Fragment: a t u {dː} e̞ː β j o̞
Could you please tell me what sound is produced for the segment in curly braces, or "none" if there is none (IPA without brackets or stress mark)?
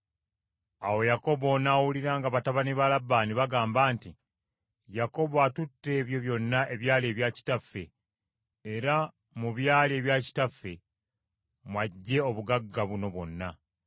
tː